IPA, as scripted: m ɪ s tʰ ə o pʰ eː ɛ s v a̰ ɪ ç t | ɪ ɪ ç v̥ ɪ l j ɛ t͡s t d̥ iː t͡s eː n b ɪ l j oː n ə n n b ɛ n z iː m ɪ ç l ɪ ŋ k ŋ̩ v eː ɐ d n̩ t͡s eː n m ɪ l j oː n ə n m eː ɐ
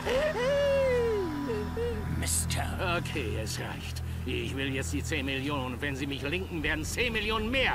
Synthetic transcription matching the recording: m ɪ s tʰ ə o kʰ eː ɛ s ʁ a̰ ɪ ç t | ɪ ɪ ç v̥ ɪ l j ɛ t͡s t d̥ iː t͡s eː n m ɪ l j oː n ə n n v ɛ n z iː m ɪ ç l ɪ ŋ k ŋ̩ v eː ɐ d n̩ t͡s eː n m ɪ l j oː n ə n m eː ɐ

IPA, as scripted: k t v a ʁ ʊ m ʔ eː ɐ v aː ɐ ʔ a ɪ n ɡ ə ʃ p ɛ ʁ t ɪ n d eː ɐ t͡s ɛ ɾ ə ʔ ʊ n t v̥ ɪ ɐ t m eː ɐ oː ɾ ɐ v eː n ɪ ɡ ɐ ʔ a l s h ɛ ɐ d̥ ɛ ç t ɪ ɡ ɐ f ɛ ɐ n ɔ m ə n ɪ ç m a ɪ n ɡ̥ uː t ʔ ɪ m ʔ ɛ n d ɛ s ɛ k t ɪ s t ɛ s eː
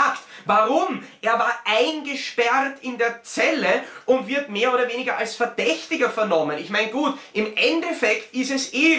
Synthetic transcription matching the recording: k t v a ʁ ʊ m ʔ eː ɐ v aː ɐ ʔ a ɪ n ɡ ə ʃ p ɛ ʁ t ɪ n d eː ɐ t͡s ɛ l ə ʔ ʊ n t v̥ ɪ ɐ t m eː ɐ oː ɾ ɐ v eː n ɪ ɡ ɐ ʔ a l s f ɛ ɐ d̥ ɛ ç t ɪ ɡ ɐ f ɛ ɐ n ɔ m ə n ɪ ç m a ɪ n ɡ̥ uː t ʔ ɪ m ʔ ɛ n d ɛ f ɛ k t ɪ s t ɛ s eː

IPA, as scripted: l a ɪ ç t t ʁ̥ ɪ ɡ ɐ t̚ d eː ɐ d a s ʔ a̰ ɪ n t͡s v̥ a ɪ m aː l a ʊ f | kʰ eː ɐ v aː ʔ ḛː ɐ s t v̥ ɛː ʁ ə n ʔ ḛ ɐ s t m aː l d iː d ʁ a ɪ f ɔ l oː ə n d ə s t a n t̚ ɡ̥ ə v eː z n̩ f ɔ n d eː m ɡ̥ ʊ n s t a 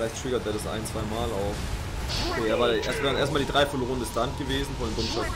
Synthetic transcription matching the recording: l a ɪ ç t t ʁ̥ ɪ ɡ ɐ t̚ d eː ɐ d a s ʔ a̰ ɪ n t͡s v̥ a ɪ m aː l a ʊ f | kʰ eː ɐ v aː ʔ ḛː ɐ s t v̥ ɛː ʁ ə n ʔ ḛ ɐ s t m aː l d iː d ʁ a ɪ f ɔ l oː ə n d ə s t a n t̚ ɡ̥ ə v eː z n̩ f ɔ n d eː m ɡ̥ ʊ n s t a

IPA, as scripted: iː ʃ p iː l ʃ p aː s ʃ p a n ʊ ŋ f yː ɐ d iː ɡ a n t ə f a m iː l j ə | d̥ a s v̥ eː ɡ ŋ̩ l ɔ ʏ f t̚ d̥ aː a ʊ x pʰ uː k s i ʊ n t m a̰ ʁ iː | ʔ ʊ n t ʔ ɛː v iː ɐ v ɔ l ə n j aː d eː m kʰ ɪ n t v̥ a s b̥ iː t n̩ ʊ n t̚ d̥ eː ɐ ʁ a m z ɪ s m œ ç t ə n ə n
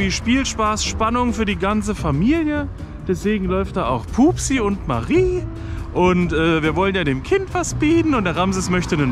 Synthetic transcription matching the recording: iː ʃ p iː l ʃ p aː s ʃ p a n ʊ ŋ f yː ɐ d iː ɡ a n t͡s ə f a m iː l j ə | d̥ ɛ s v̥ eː ɡ ŋ̩ l ɔ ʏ f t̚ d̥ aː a ʊ x pʰ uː p s i ʊ n t m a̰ ʁ iː | ʔ ʊ n t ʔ ɛː v iː ɐ v ɔ l ə n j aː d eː m kʰ ɪ n t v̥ a s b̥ iː t n̩ ʊ n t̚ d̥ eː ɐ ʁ a m z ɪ s m œ ç t ə n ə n

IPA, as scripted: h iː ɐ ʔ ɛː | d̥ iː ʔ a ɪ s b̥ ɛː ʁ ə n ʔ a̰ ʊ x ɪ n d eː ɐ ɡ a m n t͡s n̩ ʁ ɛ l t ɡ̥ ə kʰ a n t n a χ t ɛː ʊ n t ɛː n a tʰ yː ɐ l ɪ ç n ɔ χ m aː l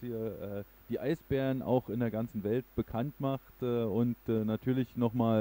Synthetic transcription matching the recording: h iː ɐ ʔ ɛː | d̥ iː ʔ a ɪ s b̥ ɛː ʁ ə n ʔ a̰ ʊ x ɪ n d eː ɐ ɡ a n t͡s n̩ v ɛ l t b̥ ə kʰ a n t m a χ t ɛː ʊ n t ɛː n a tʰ yː ɐ l ɪ ç n ɔ χ m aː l

